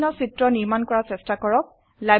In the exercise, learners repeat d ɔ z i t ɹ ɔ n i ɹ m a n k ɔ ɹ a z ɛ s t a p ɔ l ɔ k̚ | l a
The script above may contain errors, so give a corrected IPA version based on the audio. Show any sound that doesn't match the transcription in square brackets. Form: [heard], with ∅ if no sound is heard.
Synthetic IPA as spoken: [n] ɔ [s] i t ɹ ɔ n i ɹ m a n k ɔ ɹ a [s] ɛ s t a [k] ɔ [ɹ] ɔ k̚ | l a